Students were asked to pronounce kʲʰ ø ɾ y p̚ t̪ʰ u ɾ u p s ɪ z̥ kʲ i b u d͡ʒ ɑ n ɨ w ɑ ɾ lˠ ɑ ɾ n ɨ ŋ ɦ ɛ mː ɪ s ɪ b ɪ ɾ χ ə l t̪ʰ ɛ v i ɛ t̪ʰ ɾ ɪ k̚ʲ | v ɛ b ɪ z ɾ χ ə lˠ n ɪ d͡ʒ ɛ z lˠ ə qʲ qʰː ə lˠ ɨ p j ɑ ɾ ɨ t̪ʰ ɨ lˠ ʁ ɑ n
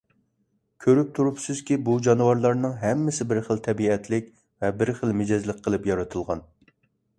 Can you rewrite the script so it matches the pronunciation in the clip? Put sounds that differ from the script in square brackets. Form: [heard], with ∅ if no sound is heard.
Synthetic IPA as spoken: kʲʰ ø ɾ y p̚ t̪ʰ u ɾ u p s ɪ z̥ kʲ i b u d͡ʒ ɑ n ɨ w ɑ ɾ lˠ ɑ ɾ n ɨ ŋ ɦ ɛ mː ɪ s ɪ b ɪ ɾ χ ə l t̪ʰ ɛ [b] i ɛ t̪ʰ [l] ɪ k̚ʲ | v ɛ b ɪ [∅] ɾ χ ə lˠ [m] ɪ d͡ʒ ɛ z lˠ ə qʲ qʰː ə lˠ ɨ p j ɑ ɾ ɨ t̪ʰ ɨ lˠ ʁ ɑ n